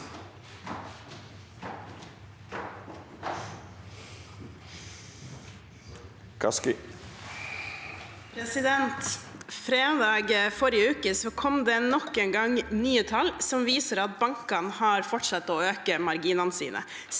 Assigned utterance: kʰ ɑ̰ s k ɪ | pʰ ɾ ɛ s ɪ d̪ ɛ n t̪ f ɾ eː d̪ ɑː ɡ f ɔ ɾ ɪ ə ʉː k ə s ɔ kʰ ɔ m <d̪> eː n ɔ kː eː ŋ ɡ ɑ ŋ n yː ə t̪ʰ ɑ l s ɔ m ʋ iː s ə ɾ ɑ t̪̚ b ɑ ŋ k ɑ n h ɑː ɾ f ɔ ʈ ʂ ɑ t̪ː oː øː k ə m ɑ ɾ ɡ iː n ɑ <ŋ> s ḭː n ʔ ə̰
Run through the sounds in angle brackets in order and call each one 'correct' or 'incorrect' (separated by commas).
correct, incorrect